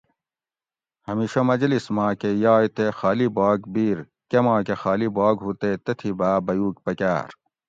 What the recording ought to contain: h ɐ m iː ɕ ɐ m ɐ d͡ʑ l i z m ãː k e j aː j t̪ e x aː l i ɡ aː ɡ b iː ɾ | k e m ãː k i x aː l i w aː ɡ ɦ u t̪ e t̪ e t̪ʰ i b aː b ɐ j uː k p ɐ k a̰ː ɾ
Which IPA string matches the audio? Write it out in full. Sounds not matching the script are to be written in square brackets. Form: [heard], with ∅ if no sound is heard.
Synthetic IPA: h ɐ m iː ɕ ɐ m ɐ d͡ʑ l i [s] m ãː k e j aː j t̪ e x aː l i [b] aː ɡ b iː ɾ | k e m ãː k [e] x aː l i [b] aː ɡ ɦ u t̪ e t̪ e t̪ʰ i b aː b ɐ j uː k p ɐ k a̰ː ɾ